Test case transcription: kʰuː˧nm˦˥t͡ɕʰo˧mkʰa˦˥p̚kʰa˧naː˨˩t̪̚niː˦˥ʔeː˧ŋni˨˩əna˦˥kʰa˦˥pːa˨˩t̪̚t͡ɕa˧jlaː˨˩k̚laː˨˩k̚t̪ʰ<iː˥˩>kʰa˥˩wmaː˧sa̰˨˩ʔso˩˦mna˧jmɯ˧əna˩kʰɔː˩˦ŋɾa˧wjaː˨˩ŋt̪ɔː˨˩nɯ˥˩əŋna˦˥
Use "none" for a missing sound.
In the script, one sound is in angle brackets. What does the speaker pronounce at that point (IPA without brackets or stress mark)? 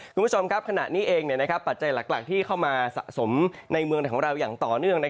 iː˥˩